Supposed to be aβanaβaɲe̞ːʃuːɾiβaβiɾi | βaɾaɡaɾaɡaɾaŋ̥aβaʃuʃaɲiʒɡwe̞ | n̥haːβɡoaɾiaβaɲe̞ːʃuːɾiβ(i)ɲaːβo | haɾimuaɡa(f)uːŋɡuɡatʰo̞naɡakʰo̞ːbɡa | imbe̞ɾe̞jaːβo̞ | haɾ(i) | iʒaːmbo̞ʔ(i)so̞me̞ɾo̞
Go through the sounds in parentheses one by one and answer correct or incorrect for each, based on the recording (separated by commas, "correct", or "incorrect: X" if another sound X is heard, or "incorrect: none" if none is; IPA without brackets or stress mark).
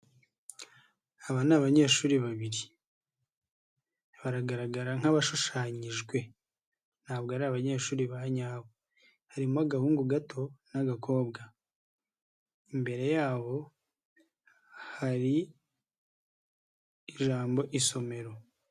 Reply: incorrect: a, incorrect: h, correct, correct